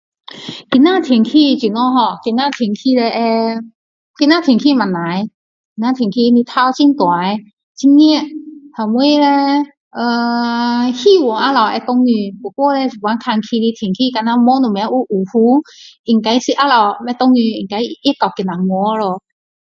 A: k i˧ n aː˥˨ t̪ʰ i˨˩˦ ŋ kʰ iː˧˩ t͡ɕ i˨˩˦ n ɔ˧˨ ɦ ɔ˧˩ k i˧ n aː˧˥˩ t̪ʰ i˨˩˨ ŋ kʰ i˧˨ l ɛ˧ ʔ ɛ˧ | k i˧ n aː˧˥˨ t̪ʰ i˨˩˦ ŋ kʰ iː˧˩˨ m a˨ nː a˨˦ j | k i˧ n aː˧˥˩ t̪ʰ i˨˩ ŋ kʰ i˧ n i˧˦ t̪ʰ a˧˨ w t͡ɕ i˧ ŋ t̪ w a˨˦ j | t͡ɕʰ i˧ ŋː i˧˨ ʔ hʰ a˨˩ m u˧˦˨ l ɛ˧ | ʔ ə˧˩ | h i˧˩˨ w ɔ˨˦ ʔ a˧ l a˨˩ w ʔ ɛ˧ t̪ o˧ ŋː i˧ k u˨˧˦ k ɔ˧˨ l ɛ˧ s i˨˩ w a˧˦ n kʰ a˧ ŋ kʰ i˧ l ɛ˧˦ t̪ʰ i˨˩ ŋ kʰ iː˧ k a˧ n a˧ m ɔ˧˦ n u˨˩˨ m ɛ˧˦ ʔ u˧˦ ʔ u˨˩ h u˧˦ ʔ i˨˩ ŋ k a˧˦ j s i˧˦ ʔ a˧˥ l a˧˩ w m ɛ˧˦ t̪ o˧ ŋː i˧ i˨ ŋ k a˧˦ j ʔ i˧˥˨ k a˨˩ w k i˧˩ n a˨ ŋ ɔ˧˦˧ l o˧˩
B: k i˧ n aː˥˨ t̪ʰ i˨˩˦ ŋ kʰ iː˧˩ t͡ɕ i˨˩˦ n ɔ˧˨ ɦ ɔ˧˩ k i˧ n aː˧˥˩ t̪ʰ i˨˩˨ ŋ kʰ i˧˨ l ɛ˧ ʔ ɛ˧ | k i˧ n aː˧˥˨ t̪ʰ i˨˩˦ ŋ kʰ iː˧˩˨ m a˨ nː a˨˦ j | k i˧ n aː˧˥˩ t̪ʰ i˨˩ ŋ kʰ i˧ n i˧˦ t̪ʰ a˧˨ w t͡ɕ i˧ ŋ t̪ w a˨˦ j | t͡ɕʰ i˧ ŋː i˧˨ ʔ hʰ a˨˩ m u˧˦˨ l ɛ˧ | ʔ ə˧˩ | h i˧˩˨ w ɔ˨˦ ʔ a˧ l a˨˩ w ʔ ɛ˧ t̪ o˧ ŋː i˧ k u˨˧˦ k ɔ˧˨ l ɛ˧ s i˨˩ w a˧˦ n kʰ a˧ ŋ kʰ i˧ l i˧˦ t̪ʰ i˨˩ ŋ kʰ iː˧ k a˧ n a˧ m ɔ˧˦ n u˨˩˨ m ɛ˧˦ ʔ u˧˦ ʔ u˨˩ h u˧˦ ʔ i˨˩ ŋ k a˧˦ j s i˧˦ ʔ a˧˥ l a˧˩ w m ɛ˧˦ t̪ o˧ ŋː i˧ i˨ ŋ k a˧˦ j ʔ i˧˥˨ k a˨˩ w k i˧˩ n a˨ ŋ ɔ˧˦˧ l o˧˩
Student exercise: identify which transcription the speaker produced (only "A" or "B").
B